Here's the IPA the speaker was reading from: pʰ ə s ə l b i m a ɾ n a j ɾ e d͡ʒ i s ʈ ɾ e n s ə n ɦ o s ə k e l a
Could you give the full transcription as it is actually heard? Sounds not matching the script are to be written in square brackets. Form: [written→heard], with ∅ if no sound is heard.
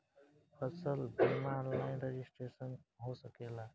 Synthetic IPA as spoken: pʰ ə s ə l b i m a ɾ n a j ɾ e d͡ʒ i s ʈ ɾ e [n→∅] s ə n ɦ o s ə k e l a